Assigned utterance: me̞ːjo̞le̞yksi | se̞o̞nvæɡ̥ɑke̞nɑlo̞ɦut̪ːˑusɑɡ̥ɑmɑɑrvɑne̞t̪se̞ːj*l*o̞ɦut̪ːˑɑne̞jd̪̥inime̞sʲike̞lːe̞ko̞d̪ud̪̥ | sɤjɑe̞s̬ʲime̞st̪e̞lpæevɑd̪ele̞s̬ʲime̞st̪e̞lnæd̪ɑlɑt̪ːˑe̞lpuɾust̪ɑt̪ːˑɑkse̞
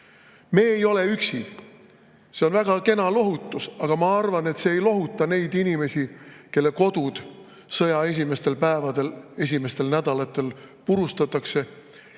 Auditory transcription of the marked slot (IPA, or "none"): l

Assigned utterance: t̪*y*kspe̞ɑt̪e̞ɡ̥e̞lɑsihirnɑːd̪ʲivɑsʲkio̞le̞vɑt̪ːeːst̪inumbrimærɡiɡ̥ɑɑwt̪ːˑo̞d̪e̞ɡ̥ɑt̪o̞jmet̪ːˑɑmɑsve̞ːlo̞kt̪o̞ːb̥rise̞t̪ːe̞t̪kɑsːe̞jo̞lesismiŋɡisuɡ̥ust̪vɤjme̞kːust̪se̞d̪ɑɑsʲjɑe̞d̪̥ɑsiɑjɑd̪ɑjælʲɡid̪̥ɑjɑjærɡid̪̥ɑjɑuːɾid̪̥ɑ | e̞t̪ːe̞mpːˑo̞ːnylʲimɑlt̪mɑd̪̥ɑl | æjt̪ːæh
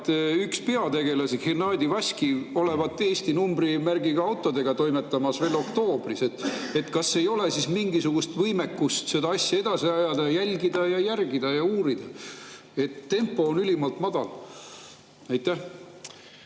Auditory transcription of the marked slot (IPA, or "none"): y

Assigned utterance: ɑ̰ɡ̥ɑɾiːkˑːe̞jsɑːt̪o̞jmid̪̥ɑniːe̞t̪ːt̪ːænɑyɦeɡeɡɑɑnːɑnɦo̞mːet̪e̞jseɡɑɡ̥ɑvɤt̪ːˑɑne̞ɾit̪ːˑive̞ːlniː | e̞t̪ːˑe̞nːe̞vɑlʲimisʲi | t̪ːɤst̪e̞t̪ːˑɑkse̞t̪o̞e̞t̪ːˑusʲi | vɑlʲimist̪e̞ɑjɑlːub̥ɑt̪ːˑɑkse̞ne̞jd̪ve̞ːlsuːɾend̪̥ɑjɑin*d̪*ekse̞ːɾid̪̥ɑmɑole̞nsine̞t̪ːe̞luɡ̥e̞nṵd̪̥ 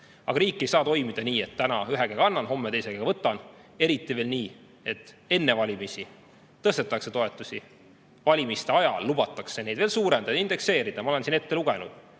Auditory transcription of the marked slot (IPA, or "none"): d̪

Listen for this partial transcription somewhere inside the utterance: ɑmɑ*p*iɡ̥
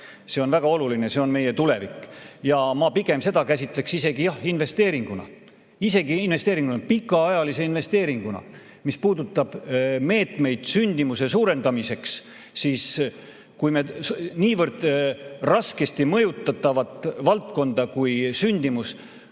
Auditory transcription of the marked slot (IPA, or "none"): p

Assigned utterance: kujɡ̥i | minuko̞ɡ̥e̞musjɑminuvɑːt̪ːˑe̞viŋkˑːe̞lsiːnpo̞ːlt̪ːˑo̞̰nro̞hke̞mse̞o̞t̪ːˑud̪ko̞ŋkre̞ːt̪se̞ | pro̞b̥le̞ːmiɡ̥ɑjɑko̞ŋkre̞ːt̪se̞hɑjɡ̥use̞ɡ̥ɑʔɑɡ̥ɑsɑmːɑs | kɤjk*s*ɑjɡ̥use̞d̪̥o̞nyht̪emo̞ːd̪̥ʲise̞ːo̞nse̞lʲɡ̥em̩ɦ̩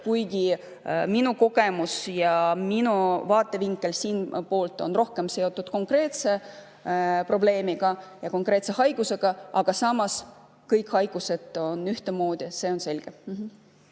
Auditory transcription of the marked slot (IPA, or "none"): h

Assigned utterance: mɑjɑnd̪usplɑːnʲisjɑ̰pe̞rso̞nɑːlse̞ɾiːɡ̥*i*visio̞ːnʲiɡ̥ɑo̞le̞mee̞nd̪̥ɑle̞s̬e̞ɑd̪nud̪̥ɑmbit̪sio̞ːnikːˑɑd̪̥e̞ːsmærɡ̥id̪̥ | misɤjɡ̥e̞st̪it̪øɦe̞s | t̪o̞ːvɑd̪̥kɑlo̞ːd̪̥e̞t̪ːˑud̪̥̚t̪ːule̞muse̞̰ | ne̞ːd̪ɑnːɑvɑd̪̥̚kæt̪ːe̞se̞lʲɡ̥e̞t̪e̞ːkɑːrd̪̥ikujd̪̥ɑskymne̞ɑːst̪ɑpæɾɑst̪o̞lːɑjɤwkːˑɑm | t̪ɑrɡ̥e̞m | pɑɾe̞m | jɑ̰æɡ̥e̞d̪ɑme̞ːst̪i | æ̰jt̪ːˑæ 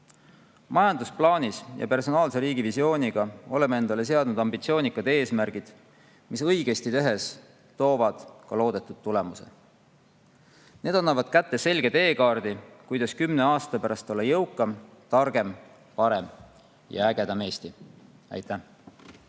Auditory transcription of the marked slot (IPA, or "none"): i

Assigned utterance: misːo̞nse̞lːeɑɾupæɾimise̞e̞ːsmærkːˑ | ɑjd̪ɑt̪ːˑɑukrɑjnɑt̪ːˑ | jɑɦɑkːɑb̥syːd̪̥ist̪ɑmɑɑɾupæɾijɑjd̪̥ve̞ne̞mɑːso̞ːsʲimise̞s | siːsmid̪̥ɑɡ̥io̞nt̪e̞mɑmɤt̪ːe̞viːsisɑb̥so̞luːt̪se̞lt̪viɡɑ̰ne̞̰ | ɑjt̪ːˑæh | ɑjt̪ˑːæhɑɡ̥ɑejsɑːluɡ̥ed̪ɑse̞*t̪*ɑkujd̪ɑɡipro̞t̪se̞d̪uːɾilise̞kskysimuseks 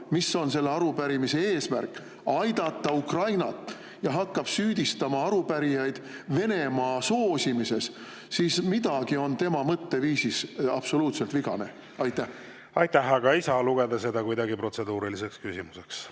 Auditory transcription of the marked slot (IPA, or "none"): d̪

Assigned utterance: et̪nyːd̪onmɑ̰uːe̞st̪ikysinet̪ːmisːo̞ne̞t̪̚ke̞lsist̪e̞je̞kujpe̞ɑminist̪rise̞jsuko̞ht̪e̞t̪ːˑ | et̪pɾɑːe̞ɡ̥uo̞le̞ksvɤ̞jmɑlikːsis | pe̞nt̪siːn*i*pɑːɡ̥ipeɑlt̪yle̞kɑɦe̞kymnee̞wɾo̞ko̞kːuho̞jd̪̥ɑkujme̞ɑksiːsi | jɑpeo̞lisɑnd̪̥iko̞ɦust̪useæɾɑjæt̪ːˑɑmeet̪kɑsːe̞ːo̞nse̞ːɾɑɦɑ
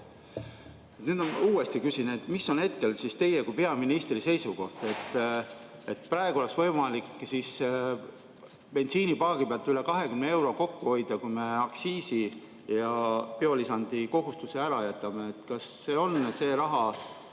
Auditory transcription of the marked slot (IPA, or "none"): i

